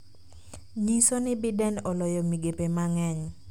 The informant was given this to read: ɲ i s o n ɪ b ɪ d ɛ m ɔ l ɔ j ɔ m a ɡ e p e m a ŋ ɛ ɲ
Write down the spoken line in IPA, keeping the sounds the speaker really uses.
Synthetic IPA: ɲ i s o n ɪ b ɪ d ɛ n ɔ l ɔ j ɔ m i ɡ e p e m a ŋ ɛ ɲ